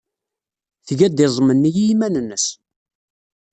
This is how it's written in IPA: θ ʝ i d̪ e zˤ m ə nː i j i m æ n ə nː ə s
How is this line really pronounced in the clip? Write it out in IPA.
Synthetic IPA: θ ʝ æ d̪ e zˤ m ə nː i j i m æ n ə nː ə s